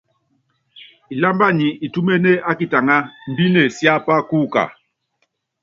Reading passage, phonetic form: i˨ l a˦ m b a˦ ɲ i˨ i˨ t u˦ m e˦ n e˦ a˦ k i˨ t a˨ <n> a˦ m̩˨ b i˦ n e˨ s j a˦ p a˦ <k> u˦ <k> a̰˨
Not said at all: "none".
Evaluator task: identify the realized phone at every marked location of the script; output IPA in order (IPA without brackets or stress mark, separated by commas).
ŋ, k, k